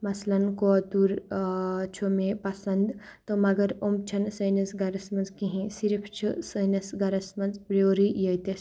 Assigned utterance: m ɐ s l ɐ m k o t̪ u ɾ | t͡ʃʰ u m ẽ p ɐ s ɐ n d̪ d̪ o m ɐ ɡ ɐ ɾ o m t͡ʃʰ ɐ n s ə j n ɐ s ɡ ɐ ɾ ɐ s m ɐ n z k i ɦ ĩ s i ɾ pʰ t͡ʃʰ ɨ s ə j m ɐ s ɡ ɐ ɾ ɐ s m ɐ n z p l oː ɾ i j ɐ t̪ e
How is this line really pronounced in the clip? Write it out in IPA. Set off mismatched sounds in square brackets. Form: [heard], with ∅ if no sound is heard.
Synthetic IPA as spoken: m ɐ s l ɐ [n] k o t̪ u ɾ | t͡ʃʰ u m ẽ p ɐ s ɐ n d̪ [t̪] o m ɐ ɡ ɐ ɾ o m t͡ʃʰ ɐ n s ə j n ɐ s ɡ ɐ ɾ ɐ s m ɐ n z k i ɦ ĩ s i ɾ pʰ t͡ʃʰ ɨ s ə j [n] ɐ s ɡ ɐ ɾ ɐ s m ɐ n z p [ɾ] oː ɾ i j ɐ t̪ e

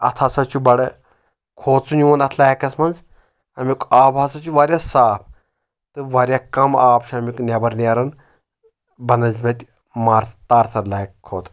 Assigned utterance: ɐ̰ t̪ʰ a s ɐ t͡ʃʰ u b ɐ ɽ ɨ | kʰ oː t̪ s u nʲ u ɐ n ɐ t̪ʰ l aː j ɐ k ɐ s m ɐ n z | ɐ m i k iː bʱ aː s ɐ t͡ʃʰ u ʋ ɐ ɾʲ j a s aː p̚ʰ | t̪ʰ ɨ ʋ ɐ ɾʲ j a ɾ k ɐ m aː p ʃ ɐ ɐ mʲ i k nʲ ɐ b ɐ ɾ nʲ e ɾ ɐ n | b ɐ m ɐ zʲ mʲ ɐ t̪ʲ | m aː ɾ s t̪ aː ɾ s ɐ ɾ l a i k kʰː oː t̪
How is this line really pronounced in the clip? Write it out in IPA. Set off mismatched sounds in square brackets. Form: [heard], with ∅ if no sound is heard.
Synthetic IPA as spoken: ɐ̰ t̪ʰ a s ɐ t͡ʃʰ u b ɐ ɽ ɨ | kʰ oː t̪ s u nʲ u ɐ n ɐ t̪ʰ l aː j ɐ k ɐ s m ɐ n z | ɐ m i k [aː] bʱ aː s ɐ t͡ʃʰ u ʋ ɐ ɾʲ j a s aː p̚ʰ | [t̪] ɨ ʋ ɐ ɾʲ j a [∅] k ɐ m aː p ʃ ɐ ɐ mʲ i k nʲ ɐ b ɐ ɾ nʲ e ɾ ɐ n | b ɐ [n] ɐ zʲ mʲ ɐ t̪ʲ | m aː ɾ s t̪ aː ɾ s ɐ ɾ l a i k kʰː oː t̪

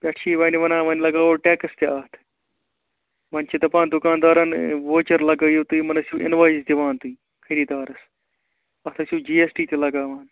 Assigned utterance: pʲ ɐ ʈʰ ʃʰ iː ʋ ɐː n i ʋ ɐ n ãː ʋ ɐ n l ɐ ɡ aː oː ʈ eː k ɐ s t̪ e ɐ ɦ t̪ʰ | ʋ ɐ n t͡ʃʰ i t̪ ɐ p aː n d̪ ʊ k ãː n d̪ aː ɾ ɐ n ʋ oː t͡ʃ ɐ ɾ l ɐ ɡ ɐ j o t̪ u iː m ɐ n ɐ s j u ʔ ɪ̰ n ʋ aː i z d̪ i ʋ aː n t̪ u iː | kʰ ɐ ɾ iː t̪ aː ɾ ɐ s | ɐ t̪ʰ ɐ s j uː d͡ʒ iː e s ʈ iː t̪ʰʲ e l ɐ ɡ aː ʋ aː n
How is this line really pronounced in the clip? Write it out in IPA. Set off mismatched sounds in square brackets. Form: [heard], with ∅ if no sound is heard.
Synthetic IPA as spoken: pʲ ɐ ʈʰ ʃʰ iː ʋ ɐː n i ʋ ɐ n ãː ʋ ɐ n l ɐ ɡ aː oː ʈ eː k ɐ s t̪ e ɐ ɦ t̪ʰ | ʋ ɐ n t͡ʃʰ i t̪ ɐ p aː n d̪ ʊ k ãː n d̪ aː ɾ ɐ n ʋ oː t͡ʃ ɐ ɾ l ɐ ɡ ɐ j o t̪ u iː m ɐ n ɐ s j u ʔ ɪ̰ n ʋ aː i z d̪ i ʋ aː n t̪ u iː | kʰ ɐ ɾ iː [d̪] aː ɾ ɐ s | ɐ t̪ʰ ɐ s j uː d͡ʒ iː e s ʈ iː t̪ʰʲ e l ɐ ɡ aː ʋ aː n

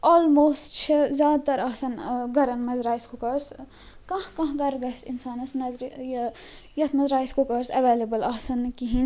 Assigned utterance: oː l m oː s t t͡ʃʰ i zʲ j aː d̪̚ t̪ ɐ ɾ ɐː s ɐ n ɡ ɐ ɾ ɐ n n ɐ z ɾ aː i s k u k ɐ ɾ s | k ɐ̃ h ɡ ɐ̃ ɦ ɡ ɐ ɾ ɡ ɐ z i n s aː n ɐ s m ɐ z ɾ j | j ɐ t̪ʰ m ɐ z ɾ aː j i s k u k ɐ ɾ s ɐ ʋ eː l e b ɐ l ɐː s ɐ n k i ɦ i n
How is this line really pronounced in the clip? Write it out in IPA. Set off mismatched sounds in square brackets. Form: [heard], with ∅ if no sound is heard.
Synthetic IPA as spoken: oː l m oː s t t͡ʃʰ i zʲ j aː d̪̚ t̪ ɐ ɾ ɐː s ɐ n ɡ ɐ ɾ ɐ n [m] ɐ z ɾ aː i s k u k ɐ ɾ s | k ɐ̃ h [k] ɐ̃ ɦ ɡ ɐ ɾ ɡ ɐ [s] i n s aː n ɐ s [n] ɐ z ɾ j | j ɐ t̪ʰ m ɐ z ɾ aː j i s k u k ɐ ɾ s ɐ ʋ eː l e b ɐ l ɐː s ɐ n k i ɦ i n

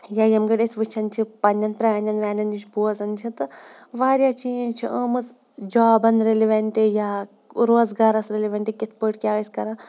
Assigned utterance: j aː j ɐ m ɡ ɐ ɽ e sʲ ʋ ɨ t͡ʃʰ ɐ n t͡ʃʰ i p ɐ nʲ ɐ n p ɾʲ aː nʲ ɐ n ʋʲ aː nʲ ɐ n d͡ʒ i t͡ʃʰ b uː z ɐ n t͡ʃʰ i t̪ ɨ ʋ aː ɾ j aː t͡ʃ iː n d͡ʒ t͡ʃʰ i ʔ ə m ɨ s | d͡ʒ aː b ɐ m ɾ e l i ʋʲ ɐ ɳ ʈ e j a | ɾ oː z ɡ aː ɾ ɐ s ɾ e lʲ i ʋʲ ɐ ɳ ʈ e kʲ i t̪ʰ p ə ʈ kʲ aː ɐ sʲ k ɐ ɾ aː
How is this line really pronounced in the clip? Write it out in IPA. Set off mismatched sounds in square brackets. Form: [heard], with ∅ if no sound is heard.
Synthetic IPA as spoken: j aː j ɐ m ɡ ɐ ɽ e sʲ ʋ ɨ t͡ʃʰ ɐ n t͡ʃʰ i p ɐ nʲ ɐ n p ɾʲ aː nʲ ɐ n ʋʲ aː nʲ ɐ n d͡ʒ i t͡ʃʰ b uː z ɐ n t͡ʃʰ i t̪ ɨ ʋ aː ɾ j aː t͡ʃ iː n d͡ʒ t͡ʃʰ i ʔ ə m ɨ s | d͡ʒ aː b ɐ [n] ɾ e l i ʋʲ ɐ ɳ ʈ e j a | ɾ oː z ɡ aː ɾ ɐ s ɾ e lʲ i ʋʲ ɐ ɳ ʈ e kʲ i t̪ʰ p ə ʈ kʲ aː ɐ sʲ k ɐ ɾ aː

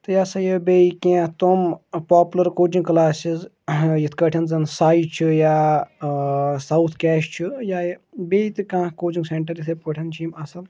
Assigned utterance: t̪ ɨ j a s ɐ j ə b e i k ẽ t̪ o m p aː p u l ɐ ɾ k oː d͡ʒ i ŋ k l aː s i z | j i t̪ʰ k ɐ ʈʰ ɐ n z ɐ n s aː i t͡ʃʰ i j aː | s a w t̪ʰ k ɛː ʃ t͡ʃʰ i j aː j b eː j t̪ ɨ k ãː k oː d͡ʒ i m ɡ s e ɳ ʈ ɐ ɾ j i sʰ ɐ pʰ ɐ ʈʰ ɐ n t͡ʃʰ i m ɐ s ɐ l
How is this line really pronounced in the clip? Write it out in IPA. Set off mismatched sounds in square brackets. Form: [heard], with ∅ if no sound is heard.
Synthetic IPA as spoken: t̪ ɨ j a s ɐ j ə b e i k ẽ t̪ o m p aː p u l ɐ ɾ k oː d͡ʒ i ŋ k l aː s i z | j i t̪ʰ k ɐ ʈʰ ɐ n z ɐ n s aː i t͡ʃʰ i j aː | s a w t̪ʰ k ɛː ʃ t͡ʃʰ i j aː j b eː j t̪ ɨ k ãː k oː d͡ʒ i [ŋ] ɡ s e ɳ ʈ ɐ ɾ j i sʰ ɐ [p] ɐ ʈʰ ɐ n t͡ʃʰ i m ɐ s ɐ l

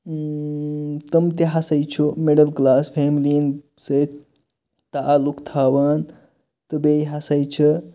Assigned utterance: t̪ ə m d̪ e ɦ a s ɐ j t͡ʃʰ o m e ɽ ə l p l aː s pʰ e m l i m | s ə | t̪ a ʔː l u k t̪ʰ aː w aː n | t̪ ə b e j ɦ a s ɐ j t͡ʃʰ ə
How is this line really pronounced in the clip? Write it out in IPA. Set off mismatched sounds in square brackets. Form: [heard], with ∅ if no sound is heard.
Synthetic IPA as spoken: t̪ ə m [t̪] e ɦ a s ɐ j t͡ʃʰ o m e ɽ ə l [k] l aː s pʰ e m l i [n] | s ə | t̪ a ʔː l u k t̪ʰ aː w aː n | t̪ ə b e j ɦ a s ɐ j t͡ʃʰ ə

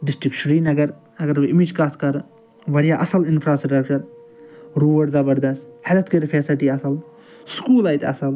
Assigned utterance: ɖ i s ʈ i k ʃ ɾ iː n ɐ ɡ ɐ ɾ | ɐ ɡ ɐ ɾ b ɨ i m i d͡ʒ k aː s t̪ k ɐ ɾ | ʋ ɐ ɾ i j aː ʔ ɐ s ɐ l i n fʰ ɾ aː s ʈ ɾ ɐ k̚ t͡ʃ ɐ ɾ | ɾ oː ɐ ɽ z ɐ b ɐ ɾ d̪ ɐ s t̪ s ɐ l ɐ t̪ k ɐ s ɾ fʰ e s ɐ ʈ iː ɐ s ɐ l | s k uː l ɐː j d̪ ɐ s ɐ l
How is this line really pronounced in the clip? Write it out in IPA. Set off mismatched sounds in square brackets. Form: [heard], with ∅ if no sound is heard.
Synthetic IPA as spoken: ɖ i s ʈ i k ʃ ɾ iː n ɐ ɡ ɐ ɾ | ɐ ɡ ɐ ɾ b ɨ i m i d͡ʒ k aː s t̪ k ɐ ɾ | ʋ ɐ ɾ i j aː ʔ ɐ s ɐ l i n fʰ ɾ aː s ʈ ɾ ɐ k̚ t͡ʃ ɐ ɾ | ɾ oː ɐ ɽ z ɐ b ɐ ɾ d̪ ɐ s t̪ [h] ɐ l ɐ t̪ k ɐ [∅] ɾ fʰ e s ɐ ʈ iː ɐ s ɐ l | s k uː l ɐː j [t̪] ɐ s ɐ l

